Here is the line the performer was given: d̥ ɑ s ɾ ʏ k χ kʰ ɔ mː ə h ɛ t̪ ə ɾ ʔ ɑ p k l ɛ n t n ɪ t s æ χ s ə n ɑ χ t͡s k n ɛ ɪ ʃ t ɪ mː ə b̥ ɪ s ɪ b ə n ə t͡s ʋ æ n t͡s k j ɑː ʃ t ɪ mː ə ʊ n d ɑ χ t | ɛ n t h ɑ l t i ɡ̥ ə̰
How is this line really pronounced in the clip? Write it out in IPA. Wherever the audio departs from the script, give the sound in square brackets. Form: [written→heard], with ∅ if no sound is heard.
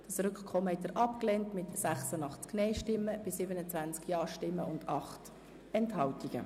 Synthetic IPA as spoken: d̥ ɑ s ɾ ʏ k χ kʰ ɔ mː ə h ɛ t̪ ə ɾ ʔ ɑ p k l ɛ n t [n→m] ɪ t s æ χ s ə n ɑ χ t͡s k n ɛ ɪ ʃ t ɪ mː ə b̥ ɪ s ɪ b ə n ə t͡s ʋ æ n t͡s k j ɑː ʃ t ɪ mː ə ʊ n d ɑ χ t | ɛ n t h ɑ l t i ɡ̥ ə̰